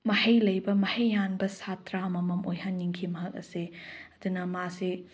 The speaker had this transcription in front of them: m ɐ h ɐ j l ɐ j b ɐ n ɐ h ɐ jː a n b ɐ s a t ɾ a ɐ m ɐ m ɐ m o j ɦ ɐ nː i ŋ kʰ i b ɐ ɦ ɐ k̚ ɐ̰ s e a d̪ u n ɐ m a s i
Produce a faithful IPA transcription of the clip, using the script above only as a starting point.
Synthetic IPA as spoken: m ɐ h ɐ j l ɐ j b ɐ m ɐ h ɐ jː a n b ɐ s a t ɾ a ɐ m ɐ m ɐ m o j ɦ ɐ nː i ŋ kʰ i m ɐ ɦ ɐ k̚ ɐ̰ s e ɐ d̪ u n ɐ m a s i